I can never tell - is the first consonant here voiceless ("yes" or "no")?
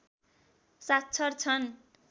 yes